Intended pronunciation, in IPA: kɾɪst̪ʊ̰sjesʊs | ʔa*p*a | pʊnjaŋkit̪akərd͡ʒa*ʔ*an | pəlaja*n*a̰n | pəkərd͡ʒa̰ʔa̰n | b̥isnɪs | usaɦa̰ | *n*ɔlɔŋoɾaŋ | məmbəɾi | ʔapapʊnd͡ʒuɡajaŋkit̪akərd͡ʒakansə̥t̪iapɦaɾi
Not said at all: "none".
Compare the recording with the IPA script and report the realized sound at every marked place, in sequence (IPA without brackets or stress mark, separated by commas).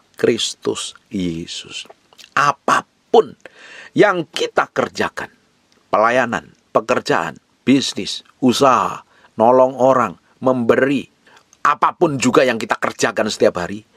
p, k, n, n